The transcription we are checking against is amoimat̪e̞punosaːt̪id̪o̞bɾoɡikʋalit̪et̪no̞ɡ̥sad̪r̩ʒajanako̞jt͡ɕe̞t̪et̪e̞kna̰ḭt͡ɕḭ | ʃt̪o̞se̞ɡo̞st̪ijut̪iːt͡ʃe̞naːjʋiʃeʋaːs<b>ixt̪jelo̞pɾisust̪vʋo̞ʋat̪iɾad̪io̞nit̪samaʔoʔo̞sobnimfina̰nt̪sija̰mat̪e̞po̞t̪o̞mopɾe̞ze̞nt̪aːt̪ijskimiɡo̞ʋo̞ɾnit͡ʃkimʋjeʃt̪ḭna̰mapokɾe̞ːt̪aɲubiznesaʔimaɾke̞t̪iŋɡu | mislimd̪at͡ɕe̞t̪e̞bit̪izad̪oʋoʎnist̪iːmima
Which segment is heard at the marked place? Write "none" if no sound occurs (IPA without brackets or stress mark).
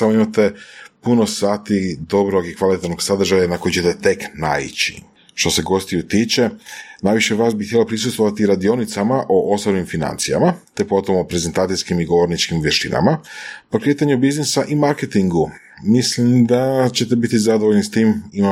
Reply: b